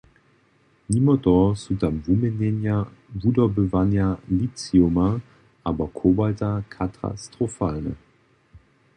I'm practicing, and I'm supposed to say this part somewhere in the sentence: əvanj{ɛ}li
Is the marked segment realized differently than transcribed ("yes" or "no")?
yes